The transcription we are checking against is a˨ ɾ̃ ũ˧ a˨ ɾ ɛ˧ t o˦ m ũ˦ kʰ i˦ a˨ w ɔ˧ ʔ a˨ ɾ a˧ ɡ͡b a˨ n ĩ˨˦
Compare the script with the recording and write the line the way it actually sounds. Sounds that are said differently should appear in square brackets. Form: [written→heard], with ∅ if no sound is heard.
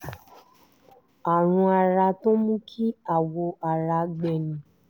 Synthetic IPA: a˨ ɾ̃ ũ˧ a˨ ɾ [ɛ˧→a˧] t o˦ m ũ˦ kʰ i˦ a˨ w [ɔ˧→o˧] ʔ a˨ ɾ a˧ ɡ͡b [a˨→ɛ˨] n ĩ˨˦